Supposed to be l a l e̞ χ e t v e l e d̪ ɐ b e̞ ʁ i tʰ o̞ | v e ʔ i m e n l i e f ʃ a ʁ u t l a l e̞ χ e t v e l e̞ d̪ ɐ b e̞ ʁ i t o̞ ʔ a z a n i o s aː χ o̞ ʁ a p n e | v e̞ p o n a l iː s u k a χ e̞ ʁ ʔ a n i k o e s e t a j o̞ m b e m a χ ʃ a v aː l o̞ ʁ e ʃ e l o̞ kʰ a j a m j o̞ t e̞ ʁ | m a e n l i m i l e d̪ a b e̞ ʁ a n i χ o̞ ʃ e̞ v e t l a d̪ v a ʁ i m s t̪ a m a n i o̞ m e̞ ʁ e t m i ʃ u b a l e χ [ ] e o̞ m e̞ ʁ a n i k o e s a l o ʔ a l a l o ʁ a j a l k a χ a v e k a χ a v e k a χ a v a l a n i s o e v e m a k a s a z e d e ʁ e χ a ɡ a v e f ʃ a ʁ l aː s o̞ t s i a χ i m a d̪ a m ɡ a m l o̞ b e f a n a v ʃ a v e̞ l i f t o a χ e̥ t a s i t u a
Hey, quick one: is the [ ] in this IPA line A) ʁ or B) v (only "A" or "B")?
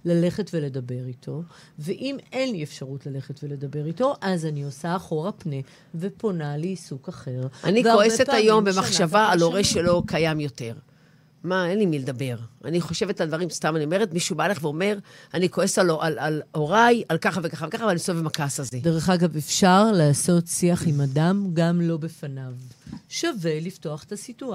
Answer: B